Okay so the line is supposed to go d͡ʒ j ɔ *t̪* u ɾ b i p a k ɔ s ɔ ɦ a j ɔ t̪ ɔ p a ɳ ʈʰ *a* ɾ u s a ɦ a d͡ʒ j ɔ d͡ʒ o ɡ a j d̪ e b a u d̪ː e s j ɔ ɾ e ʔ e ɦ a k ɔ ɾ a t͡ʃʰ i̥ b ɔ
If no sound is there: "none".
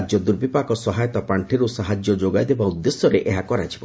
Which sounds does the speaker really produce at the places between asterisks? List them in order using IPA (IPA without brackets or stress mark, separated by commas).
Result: d̪, i